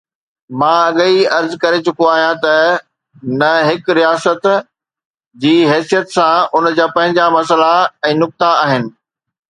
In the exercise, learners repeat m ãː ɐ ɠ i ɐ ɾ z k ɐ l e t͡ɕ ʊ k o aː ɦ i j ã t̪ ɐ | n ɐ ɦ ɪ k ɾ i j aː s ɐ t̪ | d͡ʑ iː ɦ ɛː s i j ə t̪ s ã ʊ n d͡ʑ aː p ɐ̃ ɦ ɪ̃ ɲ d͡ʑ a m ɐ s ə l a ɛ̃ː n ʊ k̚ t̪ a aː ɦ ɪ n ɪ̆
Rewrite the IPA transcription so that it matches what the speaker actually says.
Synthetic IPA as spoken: m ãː ɐ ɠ i ɐ ɾ z k ɐ ɾ e t͡ɕ ʊ k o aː ɦ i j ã t̪ ɐ | n ɐ ɦ ɪ k ɾ i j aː s ə t̪ | d͡ʑ iː ɦ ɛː s i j ə t̪ s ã ʊ n d͡ʑ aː p ɐ̃ ɦ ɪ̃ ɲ d͡ʑ a m ɐ s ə l a ɛ̃ː n ʊ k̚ t̪ a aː ɦ ɪ n ɪ̆